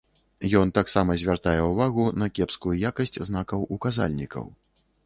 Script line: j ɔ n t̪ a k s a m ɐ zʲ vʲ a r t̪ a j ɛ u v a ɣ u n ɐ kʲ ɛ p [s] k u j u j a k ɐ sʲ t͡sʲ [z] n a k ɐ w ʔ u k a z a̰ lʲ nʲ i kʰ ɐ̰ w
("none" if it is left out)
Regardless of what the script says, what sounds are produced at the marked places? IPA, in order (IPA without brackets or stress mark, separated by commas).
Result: s, z